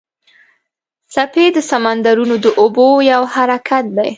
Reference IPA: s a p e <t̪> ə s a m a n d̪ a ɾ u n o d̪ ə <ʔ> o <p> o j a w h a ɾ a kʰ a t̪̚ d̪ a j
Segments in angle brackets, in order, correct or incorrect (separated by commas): incorrect, correct, incorrect